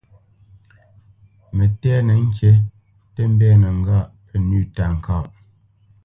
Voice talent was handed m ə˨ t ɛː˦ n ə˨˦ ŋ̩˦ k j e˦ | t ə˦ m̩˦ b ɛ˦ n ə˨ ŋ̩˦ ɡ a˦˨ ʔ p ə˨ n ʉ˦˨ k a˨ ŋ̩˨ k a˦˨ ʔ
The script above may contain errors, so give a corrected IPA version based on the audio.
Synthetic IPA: m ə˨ t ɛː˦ n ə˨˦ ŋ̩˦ k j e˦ | t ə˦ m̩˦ b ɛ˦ n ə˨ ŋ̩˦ ɡ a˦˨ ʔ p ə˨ n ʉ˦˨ t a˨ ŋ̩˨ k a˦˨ ʔ